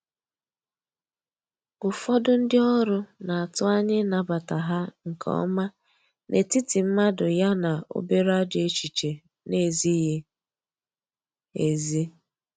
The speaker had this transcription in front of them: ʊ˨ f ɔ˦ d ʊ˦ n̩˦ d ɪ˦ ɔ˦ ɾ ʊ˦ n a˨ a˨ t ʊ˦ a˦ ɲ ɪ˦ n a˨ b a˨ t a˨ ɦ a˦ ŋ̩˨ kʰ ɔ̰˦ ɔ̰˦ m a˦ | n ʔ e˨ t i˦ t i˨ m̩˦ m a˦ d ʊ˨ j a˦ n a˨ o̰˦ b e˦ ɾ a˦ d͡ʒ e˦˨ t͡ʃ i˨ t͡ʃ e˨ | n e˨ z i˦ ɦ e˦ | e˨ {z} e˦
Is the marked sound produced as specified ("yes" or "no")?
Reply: yes